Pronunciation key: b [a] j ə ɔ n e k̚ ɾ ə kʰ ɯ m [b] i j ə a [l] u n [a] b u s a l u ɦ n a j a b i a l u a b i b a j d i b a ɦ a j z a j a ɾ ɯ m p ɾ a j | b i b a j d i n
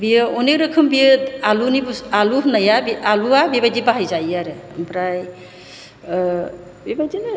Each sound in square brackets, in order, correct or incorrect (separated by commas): incorrect, correct, correct, incorrect